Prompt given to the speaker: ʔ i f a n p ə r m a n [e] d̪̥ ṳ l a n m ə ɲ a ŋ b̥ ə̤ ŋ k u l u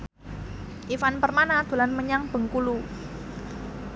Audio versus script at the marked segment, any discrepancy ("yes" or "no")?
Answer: yes